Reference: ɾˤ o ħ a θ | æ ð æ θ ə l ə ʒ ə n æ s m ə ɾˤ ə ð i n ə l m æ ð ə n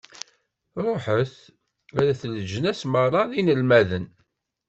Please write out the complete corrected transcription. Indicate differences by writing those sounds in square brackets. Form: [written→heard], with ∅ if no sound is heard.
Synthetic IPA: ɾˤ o ħ [a→ə] θ | æ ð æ θ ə l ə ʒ ə n æ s m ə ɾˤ [ə→ɑ] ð i n ə l m æ ð ə n